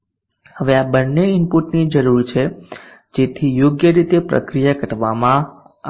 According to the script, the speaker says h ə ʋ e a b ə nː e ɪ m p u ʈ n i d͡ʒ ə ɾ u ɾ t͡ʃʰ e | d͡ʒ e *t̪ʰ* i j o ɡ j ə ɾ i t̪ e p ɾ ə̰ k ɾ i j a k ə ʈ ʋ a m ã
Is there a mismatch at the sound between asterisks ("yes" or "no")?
no